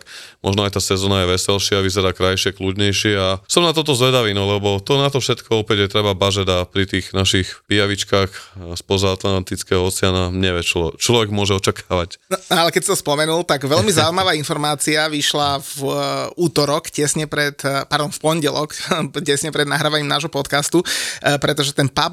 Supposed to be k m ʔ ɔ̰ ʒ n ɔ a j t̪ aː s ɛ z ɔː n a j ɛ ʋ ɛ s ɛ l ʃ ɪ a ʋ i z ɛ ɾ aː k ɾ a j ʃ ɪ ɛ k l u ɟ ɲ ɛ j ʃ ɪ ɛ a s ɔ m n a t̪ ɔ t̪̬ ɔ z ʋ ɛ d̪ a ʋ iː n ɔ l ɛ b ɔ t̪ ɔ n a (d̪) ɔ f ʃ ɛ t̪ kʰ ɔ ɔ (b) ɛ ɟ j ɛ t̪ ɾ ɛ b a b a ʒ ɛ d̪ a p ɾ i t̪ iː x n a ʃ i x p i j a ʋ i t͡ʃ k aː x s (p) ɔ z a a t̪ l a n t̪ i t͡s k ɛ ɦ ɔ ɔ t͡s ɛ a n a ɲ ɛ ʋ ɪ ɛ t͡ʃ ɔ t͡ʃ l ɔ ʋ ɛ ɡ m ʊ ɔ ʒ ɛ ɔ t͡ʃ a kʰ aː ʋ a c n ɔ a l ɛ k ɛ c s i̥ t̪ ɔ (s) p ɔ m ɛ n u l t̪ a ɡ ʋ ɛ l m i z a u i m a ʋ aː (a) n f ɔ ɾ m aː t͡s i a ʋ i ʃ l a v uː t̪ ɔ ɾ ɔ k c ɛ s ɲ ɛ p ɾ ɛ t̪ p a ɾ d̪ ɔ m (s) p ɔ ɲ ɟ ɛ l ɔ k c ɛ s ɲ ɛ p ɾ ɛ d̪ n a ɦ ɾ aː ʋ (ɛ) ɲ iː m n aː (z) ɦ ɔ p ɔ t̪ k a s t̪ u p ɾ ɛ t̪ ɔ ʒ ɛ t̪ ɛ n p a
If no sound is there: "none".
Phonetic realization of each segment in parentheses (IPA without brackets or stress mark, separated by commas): t̪, p, p, s, i, f, a, ʒ